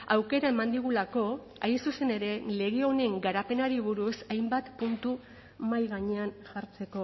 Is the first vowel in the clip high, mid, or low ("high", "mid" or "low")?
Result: low